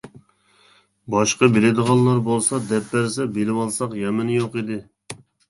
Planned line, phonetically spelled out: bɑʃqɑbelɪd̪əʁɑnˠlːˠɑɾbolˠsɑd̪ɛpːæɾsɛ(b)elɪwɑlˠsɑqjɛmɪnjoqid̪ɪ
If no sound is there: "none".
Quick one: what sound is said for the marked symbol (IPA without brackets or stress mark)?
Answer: b